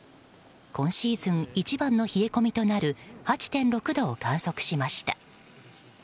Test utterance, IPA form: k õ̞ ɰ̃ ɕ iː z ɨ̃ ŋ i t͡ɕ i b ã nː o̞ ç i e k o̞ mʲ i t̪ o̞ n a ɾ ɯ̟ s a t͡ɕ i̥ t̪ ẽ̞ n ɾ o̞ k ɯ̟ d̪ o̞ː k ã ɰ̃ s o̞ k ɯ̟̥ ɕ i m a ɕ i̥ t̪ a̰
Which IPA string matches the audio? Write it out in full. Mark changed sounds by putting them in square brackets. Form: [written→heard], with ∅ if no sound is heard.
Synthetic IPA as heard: k õ̞ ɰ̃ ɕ iː z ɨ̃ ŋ i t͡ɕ i b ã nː o̞ ç i e k o̞ mʲ i t̪ o̞ n a ɾ ɯ̟ [s→h] a t͡ɕ i̥ t̪ ẽ̞ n ɾ o̞ k ɯ̟ d̪ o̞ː k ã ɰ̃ s o̞ k ɯ̟̥ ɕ i m a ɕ i̥ t̪ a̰